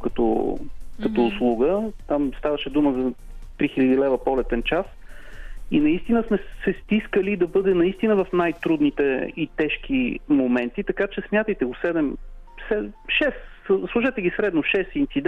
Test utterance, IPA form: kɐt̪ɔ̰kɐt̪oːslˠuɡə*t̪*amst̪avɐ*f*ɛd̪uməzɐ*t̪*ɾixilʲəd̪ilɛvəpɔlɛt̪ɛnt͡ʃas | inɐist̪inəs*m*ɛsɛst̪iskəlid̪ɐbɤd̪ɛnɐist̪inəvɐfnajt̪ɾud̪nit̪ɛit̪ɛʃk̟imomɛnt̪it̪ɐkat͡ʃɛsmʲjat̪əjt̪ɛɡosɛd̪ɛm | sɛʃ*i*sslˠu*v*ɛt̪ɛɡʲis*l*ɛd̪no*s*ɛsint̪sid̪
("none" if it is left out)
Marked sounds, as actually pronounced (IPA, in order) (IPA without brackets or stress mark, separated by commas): t̪, ʃ, t̪, m, ɛ, ʒ, ɾ, ʃ